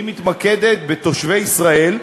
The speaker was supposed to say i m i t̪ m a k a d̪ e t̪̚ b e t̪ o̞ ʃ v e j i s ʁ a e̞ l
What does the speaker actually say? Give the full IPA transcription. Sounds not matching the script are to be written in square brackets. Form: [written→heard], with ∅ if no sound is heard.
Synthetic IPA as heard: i m i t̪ m a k [a→e] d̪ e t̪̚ b e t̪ o̞ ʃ v e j i s ʁ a e̞ l